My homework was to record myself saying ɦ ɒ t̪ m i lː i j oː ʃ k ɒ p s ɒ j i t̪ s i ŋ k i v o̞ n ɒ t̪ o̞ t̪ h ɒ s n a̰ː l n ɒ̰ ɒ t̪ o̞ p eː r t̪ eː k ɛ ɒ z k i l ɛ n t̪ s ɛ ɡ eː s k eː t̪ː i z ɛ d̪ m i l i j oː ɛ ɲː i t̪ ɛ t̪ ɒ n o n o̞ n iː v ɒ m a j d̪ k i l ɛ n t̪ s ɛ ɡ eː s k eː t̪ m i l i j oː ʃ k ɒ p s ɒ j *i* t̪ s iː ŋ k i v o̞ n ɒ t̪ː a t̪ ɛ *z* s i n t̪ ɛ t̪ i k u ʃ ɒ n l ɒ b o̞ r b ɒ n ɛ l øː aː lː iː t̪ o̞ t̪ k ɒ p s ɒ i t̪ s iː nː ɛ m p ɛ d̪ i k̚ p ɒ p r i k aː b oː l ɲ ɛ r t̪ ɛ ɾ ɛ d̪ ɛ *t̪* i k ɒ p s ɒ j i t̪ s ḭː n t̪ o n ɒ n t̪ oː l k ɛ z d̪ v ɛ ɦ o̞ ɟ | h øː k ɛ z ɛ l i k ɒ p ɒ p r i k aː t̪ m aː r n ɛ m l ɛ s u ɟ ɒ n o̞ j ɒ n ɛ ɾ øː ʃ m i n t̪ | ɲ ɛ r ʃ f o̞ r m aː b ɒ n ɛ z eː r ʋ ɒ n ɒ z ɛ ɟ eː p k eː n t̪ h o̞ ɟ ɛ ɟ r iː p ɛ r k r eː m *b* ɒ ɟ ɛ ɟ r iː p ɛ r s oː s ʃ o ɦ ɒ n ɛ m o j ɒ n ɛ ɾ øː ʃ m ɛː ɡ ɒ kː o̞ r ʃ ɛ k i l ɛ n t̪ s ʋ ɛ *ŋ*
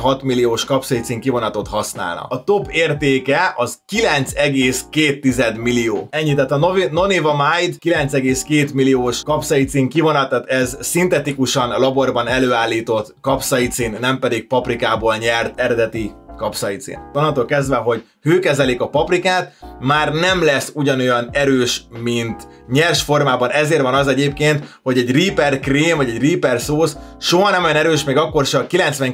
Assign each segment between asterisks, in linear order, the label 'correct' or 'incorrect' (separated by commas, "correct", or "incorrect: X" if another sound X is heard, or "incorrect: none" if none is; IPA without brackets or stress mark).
correct, correct, correct, incorrect: v, correct